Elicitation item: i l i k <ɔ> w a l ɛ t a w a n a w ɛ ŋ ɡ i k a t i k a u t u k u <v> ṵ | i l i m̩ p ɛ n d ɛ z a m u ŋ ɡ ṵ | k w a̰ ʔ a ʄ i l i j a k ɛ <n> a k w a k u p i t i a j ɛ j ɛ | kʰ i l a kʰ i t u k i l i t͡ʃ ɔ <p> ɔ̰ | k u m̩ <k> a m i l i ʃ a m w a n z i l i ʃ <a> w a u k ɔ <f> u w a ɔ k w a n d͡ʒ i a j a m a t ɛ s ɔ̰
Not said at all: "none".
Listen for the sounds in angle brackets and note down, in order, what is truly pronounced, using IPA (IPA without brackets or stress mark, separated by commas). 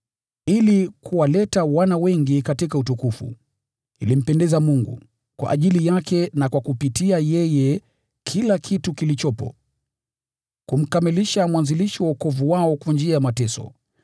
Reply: u, f, n, p, k, i, v